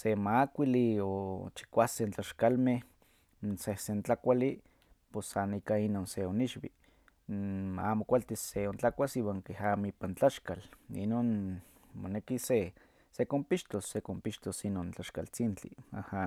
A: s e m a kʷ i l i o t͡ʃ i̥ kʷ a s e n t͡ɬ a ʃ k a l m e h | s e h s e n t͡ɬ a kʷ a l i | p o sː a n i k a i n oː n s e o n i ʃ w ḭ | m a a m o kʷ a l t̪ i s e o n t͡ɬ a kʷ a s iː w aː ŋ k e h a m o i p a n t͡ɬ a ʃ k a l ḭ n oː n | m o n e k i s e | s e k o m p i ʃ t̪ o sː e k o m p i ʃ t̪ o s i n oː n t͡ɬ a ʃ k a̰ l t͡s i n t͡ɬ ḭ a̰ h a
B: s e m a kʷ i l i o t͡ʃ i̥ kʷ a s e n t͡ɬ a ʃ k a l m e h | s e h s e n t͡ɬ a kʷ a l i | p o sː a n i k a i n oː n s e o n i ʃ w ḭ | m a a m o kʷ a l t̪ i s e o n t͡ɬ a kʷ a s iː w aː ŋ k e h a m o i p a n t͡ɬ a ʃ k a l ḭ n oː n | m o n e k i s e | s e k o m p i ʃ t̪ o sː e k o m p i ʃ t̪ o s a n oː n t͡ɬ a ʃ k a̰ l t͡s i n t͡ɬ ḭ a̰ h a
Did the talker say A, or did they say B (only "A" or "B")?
A